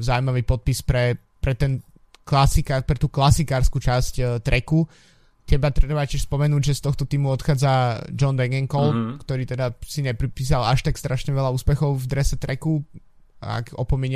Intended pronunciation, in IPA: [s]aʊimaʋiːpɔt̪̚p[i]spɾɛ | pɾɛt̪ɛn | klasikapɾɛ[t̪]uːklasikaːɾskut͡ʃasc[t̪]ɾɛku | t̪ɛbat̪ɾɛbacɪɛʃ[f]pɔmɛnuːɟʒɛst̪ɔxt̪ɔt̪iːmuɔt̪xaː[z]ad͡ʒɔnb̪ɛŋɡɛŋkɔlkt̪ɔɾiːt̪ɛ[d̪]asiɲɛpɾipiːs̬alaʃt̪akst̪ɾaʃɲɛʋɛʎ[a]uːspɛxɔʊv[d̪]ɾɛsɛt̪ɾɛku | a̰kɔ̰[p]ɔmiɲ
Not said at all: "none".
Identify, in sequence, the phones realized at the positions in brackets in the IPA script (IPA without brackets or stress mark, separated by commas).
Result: z, i, t̪, t̪, s, d͡z, d̪, a, d̪, p